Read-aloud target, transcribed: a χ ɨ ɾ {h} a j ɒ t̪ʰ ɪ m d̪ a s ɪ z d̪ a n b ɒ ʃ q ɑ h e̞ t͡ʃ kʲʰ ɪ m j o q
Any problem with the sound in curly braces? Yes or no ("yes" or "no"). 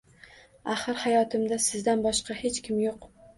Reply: no